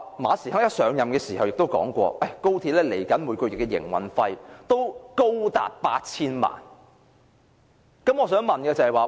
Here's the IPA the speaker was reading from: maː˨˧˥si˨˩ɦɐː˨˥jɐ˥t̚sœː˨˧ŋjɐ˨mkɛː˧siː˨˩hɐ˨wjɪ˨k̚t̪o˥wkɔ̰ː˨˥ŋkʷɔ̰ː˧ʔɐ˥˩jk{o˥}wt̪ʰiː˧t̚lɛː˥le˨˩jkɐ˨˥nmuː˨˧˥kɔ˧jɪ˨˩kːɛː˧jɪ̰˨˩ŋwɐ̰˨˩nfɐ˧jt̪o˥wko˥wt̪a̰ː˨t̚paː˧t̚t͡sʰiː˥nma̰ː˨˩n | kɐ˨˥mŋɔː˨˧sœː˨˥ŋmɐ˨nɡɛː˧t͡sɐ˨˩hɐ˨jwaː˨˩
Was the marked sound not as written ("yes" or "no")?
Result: no